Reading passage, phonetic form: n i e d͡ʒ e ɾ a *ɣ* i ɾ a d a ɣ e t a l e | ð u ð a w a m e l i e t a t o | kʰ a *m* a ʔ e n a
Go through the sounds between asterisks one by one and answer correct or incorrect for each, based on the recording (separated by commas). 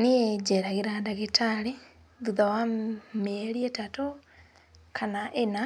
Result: correct, incorrect